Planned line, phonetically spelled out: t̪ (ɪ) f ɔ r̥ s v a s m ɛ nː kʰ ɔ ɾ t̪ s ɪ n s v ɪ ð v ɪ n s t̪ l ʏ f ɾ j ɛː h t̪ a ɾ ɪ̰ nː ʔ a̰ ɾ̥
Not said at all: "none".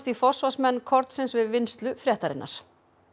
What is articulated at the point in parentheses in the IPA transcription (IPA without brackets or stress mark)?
i